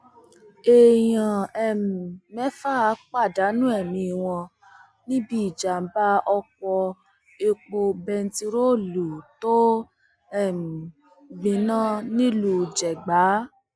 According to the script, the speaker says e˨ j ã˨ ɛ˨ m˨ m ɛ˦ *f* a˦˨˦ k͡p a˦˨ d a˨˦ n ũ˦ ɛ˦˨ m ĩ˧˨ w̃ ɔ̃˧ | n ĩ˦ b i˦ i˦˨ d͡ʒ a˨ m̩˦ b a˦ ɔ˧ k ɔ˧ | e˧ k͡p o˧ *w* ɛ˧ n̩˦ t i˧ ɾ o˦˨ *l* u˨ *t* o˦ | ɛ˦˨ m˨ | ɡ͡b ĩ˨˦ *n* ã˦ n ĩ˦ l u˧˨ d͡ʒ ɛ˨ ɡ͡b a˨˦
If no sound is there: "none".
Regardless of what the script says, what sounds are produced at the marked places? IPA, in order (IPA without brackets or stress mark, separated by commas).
f, b, l, t, n